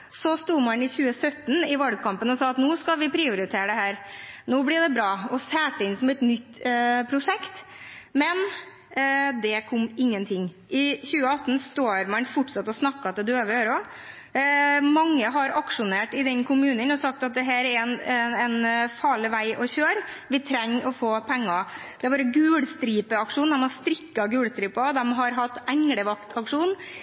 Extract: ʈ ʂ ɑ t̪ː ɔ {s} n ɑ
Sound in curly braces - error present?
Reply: no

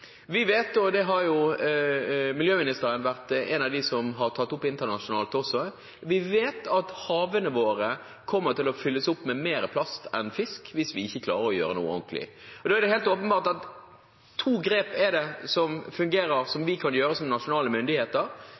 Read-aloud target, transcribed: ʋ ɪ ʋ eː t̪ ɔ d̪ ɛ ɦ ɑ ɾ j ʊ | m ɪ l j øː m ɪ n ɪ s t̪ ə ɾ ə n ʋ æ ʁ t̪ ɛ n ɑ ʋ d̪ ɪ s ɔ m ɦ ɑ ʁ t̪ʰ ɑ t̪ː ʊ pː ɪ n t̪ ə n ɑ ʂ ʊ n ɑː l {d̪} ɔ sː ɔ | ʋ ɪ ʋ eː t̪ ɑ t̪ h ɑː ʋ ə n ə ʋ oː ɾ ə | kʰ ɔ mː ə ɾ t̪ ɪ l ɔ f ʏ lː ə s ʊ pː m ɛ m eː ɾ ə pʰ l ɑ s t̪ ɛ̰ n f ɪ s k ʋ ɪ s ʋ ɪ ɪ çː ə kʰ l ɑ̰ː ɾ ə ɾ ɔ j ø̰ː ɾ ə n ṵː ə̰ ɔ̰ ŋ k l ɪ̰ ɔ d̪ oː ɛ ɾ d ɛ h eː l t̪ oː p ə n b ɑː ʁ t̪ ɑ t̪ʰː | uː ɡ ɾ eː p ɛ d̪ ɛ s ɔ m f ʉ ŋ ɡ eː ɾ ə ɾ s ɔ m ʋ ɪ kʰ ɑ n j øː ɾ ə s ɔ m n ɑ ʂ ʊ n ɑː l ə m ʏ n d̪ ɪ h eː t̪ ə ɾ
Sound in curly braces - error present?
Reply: yes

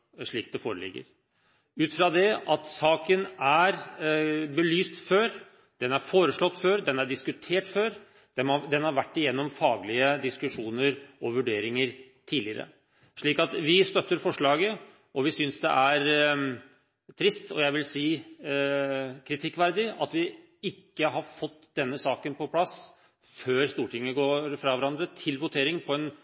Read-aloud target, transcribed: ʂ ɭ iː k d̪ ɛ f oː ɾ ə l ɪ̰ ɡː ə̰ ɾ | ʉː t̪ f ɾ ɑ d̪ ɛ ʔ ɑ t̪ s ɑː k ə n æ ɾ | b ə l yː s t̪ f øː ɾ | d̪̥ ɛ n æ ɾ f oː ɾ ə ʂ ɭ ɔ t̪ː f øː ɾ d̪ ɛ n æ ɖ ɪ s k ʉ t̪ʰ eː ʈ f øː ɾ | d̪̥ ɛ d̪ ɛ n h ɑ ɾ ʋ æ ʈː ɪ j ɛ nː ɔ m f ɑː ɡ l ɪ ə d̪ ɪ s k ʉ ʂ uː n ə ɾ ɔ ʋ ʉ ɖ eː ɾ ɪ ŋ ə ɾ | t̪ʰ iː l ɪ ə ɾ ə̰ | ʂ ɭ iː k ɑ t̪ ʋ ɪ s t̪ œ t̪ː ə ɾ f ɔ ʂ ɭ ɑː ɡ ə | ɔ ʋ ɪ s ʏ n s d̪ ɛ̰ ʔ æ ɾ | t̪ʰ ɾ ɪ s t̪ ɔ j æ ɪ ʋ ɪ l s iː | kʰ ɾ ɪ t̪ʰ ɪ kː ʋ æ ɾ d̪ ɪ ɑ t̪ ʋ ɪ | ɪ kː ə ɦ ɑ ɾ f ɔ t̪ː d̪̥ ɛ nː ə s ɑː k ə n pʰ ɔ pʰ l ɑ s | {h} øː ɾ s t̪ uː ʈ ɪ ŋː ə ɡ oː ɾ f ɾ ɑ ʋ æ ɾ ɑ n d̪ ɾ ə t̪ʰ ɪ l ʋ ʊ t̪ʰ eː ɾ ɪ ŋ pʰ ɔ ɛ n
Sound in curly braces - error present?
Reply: yes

